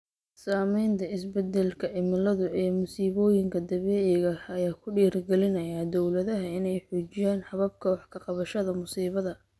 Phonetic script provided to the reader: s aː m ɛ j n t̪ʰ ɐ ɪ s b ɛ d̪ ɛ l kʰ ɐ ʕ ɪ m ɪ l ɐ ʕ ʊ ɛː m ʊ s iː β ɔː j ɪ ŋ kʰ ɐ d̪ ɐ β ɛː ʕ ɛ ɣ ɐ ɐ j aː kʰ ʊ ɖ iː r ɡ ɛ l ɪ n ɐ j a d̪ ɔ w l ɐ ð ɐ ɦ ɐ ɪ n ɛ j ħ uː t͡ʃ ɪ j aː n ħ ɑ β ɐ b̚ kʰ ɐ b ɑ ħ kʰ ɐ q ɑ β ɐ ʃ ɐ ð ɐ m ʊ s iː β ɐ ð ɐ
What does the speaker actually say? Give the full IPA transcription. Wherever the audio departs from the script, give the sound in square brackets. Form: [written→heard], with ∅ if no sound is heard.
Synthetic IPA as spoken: s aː m ɛ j n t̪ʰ ɐ ɪ s b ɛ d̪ ɛ l kʰ ɐ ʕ ɪ m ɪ l ɐ [ʕ→ð] ʊ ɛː m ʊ s iː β ɔː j ɪ ŋ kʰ ɐ d̪ ɐ β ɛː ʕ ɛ ɣ ɐ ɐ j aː kʰ ʊ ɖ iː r ɡ ɛ l ɪ n ɐ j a d̪ ɔ w l ɐ ð ɐ ɦ ɐ ɪ n ɛ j ħ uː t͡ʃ ɪ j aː n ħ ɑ β ɐ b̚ kʰ ɐ [b→w] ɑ ħ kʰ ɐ q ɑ β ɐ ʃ ɐ ð ɐ m ʊ s iː β ɐ ð ɐ